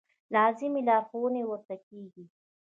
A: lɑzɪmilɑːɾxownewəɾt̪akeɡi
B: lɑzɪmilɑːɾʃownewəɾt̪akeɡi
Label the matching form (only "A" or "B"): A